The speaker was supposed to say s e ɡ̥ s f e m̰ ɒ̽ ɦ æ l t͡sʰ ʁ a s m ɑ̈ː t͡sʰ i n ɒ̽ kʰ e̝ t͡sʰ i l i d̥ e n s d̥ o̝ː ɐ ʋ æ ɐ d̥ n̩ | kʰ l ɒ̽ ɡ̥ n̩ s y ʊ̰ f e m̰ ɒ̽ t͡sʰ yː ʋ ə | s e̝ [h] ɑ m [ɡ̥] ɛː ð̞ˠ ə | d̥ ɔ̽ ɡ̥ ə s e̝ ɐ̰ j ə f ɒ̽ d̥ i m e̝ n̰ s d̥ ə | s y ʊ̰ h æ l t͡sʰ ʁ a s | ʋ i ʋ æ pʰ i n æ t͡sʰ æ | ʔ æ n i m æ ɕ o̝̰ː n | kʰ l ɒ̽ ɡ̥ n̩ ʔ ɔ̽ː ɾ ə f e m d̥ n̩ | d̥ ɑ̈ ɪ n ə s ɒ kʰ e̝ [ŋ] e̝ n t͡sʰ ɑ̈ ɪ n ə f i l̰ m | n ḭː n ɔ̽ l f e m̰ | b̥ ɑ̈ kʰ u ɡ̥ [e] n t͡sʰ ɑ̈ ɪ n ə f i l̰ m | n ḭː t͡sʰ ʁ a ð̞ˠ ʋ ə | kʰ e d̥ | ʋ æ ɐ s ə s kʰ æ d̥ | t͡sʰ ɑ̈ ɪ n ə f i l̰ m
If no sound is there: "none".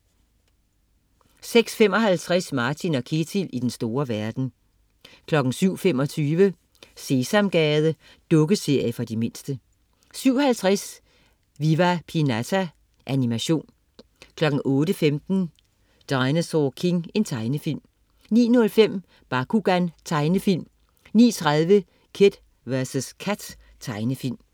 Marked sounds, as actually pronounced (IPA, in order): s, ɡ̥, ŋ, æ

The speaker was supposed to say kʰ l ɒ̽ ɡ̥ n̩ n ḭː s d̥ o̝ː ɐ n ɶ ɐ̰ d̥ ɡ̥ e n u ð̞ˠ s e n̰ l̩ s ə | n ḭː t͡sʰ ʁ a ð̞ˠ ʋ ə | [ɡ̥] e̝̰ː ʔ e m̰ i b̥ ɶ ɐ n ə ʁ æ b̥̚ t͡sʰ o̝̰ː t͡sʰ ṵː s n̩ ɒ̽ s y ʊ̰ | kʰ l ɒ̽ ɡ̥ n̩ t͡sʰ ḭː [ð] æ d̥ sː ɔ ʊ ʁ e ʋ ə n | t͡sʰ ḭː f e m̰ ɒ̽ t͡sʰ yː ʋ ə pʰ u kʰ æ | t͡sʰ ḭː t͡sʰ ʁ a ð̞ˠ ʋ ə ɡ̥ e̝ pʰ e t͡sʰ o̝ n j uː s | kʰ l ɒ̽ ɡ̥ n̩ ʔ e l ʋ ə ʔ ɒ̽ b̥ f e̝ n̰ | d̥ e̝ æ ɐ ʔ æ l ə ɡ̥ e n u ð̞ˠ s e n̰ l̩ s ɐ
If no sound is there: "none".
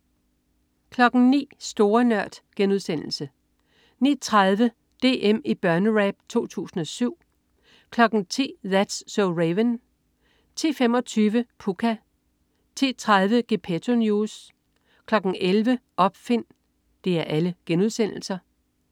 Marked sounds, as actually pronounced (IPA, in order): d̥, ð

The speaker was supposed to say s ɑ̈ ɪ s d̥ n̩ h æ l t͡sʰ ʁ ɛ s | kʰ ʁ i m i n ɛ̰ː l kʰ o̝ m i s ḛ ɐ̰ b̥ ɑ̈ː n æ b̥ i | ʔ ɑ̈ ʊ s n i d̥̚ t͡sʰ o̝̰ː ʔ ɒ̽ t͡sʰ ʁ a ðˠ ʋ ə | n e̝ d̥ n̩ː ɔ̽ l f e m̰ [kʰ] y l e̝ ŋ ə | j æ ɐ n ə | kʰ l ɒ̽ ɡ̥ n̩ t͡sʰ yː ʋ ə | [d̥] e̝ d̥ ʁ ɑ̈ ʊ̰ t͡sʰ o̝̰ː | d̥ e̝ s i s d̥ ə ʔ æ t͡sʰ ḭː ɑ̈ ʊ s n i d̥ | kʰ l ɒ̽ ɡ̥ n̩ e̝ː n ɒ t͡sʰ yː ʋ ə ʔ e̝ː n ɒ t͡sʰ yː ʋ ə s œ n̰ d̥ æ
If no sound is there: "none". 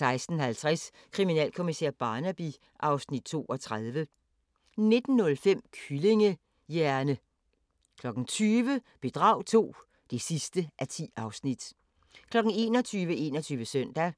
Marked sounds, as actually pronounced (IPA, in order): kʰ, b̥

